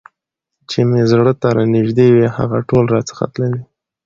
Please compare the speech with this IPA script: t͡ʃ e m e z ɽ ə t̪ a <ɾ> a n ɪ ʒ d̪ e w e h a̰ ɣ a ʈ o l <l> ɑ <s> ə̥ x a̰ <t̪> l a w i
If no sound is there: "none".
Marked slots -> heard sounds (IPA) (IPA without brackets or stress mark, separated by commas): ɾ, ɾ, t͡s, t̪